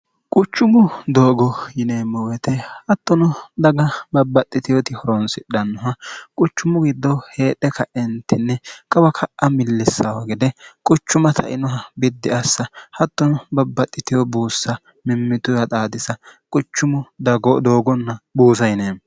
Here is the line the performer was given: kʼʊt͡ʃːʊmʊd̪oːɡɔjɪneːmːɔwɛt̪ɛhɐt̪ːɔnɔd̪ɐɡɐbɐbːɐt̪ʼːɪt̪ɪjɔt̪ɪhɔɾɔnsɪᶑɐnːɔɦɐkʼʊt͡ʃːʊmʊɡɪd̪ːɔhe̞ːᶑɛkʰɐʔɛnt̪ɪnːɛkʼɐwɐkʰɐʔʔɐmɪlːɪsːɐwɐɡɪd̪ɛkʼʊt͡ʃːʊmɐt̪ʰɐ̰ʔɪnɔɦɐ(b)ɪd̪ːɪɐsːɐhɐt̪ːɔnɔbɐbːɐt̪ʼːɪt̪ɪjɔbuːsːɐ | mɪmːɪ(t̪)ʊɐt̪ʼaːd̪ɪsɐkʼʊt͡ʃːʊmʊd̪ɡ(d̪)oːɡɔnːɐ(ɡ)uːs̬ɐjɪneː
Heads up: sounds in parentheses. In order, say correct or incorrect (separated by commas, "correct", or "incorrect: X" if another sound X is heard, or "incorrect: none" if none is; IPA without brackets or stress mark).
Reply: correct, correct, correct, incorrect: b